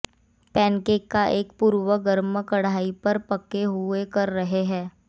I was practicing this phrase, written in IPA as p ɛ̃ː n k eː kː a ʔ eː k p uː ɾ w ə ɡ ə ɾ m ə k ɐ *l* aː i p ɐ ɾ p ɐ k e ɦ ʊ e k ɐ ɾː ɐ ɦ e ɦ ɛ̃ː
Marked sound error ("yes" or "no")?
yes